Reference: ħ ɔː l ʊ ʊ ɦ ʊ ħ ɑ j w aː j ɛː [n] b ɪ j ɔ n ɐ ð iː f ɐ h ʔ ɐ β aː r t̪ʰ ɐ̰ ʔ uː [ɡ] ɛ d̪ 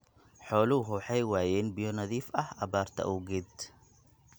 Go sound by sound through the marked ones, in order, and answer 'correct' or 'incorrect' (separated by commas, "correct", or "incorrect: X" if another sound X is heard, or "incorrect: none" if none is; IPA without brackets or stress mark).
correct, correct